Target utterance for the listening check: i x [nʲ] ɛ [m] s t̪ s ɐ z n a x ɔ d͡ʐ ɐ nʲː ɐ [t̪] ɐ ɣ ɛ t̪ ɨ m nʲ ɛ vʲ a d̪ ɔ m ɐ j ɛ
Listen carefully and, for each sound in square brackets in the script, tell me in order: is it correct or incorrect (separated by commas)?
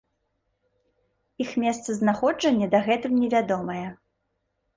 incorrect, incorrect, incorrect